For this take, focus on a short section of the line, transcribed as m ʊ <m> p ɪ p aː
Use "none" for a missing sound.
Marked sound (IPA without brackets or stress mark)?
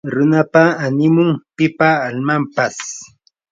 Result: ŋ